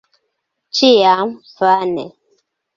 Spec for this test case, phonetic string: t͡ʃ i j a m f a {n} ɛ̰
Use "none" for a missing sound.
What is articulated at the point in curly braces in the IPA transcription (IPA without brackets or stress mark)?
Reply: n